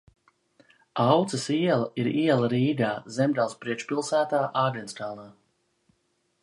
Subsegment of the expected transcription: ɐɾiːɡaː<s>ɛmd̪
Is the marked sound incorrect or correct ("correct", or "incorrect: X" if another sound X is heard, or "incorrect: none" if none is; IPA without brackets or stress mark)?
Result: incorrect: z